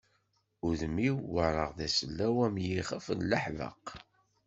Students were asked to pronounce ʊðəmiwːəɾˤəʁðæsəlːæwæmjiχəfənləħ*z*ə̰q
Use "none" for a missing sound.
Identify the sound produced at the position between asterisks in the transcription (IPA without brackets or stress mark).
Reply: v